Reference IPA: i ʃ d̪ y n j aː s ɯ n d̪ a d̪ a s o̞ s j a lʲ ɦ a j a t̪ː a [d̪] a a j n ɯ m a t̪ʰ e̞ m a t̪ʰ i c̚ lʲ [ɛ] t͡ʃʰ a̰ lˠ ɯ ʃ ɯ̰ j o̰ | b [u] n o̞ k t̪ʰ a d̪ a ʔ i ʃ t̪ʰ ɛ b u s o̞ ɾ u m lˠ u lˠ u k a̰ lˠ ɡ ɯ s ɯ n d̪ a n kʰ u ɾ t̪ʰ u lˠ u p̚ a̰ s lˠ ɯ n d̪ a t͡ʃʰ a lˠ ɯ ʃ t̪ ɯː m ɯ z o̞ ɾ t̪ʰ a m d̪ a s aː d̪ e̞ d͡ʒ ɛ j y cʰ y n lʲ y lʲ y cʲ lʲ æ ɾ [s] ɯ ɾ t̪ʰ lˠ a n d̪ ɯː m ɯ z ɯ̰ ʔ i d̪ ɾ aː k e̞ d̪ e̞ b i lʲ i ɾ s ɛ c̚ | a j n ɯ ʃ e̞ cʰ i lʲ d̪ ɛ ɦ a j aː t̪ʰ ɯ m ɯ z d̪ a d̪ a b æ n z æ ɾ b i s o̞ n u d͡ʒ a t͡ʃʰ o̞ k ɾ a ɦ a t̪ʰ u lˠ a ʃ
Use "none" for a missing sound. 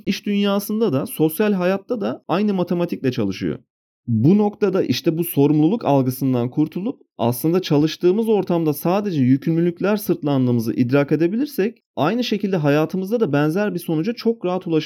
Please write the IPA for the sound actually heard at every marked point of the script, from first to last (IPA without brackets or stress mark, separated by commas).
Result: d̪, ɛ, u, s